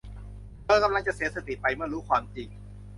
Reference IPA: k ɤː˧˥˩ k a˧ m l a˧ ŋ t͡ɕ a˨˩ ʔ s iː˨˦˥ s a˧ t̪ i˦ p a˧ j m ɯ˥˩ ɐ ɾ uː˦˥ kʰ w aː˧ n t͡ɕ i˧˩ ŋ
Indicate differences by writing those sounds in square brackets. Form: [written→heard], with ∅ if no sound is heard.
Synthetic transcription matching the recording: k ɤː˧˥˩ k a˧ m l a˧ ŋ t͡ɕ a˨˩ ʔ s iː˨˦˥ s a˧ t̪ [i˦→i˨˩] p a˧ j m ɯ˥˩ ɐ ɾ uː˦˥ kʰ w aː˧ [n→m] t͡ɕ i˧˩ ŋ